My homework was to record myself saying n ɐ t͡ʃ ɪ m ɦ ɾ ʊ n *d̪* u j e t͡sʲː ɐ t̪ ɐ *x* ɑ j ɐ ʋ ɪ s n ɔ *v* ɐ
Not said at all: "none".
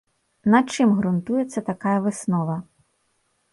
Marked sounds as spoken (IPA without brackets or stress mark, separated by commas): t̪, k, ʋ